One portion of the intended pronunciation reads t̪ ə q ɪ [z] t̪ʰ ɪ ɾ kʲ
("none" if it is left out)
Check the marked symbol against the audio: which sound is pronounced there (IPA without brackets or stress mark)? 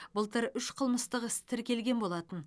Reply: s